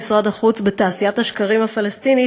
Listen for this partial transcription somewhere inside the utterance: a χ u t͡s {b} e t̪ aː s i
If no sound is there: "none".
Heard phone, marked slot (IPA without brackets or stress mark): b